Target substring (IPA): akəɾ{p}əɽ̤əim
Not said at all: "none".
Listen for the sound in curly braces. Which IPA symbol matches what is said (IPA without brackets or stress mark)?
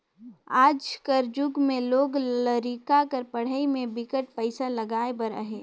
p